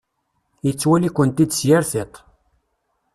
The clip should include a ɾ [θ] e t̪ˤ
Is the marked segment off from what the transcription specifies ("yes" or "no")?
no